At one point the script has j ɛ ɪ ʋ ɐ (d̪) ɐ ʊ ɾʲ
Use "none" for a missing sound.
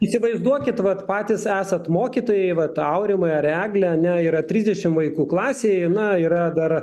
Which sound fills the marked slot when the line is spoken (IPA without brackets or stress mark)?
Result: t̪